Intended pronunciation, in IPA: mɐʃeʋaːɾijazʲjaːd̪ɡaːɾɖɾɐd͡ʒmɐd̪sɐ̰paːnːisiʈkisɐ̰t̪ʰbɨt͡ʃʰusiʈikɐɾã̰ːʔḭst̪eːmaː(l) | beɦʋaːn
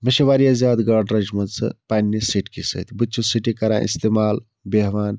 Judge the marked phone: correct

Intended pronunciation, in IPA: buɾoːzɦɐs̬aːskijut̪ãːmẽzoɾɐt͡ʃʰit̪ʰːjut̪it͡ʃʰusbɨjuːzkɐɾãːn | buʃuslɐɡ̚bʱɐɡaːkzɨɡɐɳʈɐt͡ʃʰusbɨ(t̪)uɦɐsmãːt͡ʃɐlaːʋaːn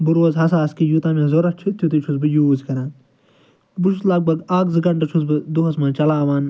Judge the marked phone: incorrect: d̪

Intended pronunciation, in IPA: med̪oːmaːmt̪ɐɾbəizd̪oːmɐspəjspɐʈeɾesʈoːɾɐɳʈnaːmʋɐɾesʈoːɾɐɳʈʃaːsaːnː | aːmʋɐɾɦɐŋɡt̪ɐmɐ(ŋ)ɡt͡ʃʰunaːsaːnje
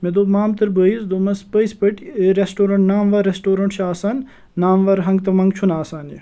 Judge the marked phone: correct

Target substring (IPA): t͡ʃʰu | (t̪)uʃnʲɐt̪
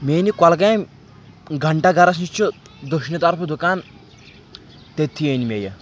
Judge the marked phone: incorrect: d̪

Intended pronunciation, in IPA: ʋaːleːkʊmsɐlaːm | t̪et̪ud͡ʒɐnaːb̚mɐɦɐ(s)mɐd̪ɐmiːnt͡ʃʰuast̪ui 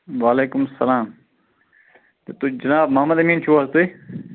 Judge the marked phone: incorrect: none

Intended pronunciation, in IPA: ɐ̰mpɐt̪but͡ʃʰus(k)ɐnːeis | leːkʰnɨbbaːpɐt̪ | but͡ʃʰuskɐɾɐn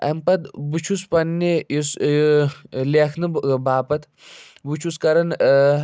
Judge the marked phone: incorrect: p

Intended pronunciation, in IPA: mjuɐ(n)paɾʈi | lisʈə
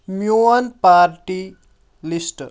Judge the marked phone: correct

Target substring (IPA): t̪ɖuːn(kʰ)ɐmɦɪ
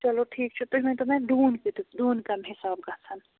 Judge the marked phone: incorrect: k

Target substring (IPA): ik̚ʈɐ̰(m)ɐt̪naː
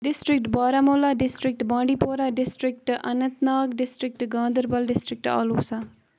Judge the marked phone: incorrect: n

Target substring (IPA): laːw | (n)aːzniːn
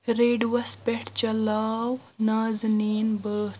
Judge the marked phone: correct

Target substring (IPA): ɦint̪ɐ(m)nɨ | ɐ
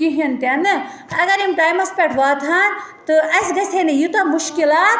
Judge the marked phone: incorrect: none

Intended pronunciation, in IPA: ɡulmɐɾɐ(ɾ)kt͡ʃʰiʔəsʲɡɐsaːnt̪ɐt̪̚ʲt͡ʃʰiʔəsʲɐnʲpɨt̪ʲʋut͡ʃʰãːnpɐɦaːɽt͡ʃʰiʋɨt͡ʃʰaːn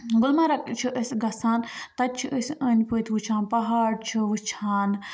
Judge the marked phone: incorrect: none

